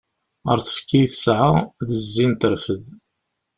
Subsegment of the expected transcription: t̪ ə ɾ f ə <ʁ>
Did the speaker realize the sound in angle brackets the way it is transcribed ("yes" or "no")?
no